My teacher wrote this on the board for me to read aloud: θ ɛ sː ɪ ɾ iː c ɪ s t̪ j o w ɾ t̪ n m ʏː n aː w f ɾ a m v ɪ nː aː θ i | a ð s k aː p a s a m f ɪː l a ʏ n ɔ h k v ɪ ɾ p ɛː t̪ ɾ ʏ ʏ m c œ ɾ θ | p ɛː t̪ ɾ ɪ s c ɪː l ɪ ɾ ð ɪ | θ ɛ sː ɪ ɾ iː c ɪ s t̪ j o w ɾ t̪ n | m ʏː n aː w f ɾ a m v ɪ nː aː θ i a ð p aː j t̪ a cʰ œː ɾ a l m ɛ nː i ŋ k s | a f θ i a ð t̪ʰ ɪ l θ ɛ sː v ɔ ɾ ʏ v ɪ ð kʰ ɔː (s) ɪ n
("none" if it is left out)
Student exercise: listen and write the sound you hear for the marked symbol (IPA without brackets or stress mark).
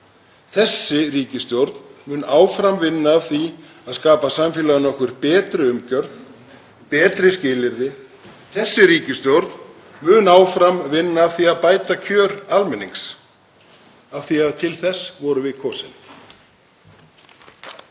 s